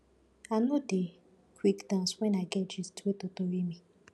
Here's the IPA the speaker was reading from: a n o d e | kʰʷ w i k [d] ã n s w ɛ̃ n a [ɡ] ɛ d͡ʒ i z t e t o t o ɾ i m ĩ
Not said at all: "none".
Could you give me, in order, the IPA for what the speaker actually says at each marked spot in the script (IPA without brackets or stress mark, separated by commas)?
d, ɡ